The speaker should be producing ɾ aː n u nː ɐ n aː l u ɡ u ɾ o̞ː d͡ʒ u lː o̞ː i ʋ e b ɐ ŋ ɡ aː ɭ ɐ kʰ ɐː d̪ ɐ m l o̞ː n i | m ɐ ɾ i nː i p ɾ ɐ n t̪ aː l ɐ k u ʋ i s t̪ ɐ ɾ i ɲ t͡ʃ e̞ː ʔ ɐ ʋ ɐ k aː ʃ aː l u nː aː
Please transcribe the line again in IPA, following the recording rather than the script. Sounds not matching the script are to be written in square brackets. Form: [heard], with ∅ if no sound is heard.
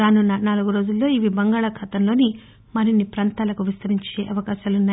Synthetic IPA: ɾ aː n u nː ɐ n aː l u ɡ u ɾ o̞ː d͡ʒ u lː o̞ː i ʋ [i] b ɐ ŋ ɡ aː ɭ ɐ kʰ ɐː [t̪] ɐ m l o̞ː n i | m ɐ ɾ i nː i p ɾ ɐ n t̪ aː l ɐ k u ʋ i s t̪ ɐ ɾ i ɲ t͡ʃ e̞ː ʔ ɐ ʋ ɐ k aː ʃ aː l u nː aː